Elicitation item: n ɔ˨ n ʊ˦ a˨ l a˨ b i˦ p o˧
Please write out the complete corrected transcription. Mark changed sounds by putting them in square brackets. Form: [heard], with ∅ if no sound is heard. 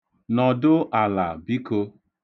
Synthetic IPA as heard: n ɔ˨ [d] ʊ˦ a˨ l a˨ b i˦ [k] o˧

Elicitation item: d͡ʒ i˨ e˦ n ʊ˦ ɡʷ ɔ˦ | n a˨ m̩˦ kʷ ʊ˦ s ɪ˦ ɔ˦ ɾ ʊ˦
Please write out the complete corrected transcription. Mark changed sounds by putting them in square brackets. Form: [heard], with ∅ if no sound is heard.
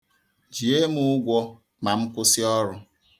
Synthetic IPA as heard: d͡ʒ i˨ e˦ [m] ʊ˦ ɡʷ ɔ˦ | [m] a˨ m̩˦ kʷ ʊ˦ s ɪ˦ ɔ˦ ɾ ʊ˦

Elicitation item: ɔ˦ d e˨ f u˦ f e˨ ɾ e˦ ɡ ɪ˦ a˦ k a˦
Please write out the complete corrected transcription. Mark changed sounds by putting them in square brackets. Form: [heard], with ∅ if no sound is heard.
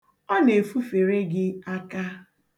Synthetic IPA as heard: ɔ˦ [n] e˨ f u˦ f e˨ ɾ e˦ ɡ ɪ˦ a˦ k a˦

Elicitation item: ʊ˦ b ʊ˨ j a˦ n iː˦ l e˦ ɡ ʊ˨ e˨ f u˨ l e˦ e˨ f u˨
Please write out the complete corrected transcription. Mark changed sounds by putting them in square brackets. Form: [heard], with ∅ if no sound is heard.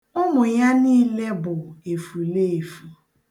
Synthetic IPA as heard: ʊ˦ [m] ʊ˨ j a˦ n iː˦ l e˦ [b] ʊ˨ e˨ f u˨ l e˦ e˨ f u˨

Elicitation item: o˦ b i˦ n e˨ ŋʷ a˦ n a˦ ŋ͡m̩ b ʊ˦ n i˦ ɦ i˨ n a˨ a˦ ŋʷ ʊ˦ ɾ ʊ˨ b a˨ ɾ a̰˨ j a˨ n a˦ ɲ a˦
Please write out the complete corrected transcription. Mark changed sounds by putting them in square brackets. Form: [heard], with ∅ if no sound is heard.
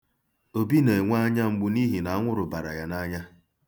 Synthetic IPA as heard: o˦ b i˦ n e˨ ŋʷ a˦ [ɲ] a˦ ŋ͡m̩ [ɡ͡b] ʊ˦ n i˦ ɦ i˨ n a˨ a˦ ŋʷ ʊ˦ ɾ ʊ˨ b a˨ ɾ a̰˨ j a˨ n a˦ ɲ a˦

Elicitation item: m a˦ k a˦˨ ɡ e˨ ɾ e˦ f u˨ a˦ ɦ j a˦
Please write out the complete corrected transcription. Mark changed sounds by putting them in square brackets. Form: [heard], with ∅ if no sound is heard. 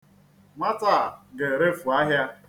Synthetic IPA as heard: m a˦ [t] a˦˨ ɡ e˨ ɾ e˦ f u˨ a˦ ɦ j a˦

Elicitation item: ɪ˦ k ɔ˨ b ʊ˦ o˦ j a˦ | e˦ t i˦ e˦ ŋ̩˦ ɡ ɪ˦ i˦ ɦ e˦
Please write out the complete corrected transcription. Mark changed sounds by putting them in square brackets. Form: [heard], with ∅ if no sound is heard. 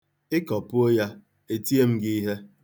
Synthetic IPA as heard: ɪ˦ k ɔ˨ [p] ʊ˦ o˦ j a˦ | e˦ t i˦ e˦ [m̩˦] ɡ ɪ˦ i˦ ɦ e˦

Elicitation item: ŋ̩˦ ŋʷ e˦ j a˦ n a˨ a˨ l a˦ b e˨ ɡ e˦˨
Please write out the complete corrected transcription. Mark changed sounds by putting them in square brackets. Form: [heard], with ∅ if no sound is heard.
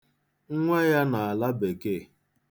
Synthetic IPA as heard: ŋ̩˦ ŋʷ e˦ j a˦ n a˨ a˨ l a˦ b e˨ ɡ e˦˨

